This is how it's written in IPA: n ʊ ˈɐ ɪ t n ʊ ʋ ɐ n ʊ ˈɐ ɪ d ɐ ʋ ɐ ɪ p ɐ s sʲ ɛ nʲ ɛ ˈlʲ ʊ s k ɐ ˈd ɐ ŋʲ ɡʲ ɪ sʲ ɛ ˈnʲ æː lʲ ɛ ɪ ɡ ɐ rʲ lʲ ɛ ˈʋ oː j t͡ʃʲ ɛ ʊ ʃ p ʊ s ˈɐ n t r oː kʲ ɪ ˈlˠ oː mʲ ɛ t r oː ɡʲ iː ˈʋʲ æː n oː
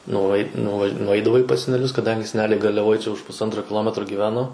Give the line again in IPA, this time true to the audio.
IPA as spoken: n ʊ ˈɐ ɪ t n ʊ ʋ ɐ n ʊ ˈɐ ɪ d ɐ ʋ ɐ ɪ p ɐ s sʲ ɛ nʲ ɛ ˈlʲ ʊ s k ɐ ˈd ɐ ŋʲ ɡʲ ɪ sʲ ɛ ˈnʲ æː lʲ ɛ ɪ ɡ ɐ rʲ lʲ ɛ ˈʋ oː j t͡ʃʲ ɛ ʊ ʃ p ʊ s ˈɐ n t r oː kʲ ɪ ˈlˠ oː mʲ ɛ t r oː ɡʲ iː ˈʋʲ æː n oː